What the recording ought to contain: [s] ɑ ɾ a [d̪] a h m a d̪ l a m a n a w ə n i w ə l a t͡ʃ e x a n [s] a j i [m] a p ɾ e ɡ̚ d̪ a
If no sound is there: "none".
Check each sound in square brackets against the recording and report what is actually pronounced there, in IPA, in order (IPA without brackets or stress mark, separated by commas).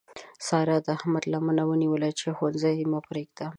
s, d̪, z, m